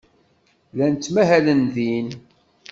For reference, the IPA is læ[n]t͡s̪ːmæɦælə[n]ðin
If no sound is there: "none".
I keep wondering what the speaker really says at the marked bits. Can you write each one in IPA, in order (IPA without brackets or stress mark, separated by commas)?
n, n